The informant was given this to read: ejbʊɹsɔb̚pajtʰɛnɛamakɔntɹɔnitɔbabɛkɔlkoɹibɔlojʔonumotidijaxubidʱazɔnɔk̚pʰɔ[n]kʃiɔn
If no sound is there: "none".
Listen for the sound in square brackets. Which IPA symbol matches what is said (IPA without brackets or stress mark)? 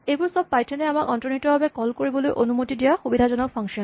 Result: ŋ